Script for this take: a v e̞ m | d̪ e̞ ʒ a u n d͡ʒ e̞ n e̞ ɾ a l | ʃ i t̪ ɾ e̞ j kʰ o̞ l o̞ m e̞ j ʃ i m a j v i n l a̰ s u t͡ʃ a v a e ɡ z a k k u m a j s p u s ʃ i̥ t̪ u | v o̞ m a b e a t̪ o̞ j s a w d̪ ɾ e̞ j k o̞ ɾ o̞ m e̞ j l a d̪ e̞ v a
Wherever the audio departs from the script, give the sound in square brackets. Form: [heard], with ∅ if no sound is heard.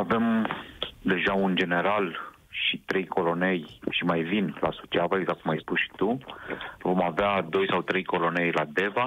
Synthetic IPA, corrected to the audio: a v e̞ m | d̪ e̞ ʒ a u n d͡ʒ e̞ n e̞ ɾ a l | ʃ i t̪ ɾ e̞ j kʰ o̞ l o̞ [n] e̞ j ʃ i m a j v i n l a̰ s u t͡ʃ a v a e ɡ z a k k u m a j s p u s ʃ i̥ t̪ u | v o̞ m a [v] e a [d̪] o̞ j s a w [t̪] ɾ e̞ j k o̞ [l] o̞ [n] e̞ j l a d̪ e̞ v a